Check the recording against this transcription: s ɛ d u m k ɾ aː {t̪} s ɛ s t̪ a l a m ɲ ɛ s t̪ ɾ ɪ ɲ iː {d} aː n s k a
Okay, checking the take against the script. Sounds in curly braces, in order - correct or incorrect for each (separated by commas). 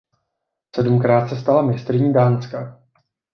correct, correct